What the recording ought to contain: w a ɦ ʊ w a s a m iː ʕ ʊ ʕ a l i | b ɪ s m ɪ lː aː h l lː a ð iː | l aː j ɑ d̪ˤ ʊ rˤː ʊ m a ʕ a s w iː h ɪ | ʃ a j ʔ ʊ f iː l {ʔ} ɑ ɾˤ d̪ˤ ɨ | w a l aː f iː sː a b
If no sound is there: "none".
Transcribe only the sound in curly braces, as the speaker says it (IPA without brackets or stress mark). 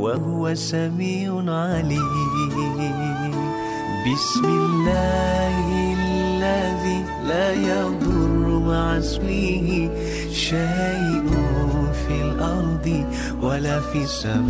ʔ